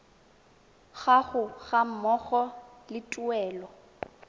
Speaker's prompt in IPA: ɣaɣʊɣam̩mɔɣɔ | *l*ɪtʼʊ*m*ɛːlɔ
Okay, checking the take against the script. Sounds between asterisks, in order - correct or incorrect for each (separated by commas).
correct, incorrect